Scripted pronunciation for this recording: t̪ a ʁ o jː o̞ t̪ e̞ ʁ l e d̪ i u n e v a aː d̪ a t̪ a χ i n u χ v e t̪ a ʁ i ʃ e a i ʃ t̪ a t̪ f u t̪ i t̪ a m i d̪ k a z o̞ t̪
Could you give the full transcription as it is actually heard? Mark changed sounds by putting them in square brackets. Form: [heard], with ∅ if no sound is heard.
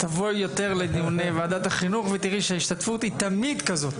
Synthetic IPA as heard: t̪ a [v] o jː o̞ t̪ e̞ ʁ l e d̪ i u n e v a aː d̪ a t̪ a χ i n u χ v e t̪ [i] ʁ i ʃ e a i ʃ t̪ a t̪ f u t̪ i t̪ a m i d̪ k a z o̞ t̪